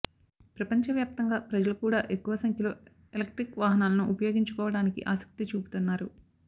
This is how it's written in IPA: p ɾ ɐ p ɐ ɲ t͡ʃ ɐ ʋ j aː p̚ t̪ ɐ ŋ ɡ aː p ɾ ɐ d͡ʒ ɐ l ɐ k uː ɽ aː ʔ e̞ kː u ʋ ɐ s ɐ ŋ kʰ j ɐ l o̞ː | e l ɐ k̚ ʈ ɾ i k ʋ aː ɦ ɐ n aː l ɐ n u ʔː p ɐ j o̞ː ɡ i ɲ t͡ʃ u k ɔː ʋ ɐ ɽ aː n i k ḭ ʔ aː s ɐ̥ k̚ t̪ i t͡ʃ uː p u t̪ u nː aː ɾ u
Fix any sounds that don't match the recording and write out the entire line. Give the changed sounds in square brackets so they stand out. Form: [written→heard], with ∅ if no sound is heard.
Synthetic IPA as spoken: p ɾ ɐ p ɐ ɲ t͡ʃ ɐ ʋ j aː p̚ t̪ ɐ ŋ ɡ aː p ɾ ɐ d͡ʒ ɐ l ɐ k uː ɽ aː ʔ e̞ kː u ʋ ɐ s ɐ ŋ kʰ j ɐ l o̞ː | e l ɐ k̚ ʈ ɾ i k ʋ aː ɦ ɐ n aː l ɐ n u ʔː p ɐ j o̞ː ɡ i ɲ t͡ʃ u k ɔː ʋ ɐ ɽ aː n i k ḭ ʔ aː s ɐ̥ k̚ t̪ i t͡ʃ uː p u t̪ u nː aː ɾ u